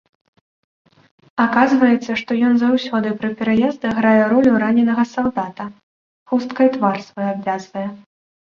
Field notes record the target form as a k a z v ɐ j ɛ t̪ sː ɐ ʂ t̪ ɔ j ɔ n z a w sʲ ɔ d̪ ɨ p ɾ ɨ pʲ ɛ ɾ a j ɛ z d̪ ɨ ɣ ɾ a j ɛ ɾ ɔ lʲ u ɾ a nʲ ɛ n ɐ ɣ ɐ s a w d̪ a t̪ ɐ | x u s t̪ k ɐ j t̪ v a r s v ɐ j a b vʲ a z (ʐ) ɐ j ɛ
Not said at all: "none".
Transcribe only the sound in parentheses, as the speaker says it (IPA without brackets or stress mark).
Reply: v